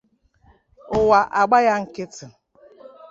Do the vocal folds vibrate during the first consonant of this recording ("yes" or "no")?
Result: yes